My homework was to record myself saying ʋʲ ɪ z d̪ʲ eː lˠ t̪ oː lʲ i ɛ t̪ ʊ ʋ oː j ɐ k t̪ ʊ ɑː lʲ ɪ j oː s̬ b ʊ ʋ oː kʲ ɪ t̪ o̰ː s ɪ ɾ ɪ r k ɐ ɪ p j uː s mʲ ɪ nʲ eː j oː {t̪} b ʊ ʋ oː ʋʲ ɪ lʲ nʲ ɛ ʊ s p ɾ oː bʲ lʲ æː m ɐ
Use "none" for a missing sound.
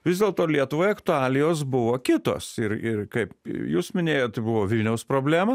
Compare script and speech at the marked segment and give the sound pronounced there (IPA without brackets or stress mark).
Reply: t̪